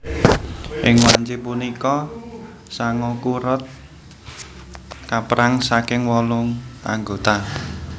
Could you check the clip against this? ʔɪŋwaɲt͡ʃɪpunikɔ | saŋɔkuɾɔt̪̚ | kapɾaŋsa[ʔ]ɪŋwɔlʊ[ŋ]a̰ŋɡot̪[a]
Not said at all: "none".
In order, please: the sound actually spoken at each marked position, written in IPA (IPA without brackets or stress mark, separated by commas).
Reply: k, ŋ, a